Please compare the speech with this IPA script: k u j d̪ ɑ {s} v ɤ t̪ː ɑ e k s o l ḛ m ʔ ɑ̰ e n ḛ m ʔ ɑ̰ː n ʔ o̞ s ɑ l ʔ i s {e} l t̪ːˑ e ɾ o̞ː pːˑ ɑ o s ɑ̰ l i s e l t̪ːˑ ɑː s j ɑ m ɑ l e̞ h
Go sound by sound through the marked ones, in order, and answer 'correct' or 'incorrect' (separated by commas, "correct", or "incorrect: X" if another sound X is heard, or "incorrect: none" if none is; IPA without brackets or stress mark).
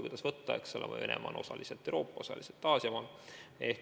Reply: correct, correct